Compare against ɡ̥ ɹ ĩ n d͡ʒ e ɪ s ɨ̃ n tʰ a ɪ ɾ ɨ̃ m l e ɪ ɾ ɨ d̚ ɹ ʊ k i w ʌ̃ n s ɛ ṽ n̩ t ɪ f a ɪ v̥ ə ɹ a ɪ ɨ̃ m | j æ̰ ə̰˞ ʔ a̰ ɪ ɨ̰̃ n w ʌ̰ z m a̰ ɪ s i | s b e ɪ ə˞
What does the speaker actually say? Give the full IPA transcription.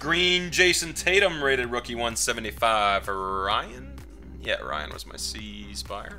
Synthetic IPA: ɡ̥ ɹ ĩ n d͡ʒ e ɪ s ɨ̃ n tʰ e ɪ ɾ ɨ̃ m ɹ e ɪ ɾ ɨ d̚ ɹ ʊ k i w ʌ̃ n s ɛ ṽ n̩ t i f a ɪ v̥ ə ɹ a ɪ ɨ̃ n | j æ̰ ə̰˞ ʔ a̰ ɪ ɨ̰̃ n w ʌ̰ z m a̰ ɪ s i | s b a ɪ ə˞